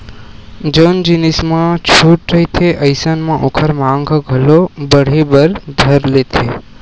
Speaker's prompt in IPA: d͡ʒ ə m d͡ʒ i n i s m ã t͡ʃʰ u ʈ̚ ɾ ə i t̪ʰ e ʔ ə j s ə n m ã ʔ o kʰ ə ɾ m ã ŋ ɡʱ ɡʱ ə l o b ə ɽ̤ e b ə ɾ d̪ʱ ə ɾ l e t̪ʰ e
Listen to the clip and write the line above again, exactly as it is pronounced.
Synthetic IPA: d͡ʒ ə n d͡ʒ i n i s m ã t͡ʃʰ u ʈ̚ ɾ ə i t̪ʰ e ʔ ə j s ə n m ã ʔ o kʰ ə ɾ m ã ŋ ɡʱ ɡʱ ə l o b ə ɽ̤ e b ə ɾ d̪ʱ ə ɾ l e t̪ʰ e